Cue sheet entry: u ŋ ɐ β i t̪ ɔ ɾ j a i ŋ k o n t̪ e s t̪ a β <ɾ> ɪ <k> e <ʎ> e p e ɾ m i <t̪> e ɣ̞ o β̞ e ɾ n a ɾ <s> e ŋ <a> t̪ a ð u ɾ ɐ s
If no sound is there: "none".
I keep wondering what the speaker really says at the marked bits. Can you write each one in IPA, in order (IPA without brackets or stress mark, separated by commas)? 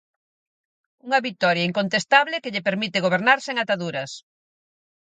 l, k, ʎ, t̪, s, a